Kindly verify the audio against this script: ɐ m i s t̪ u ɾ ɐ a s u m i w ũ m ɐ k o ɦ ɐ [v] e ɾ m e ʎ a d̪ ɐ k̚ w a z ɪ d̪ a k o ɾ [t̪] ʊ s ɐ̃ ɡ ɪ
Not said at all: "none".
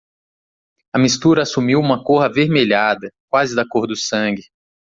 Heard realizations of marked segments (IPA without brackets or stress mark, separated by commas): v, d̪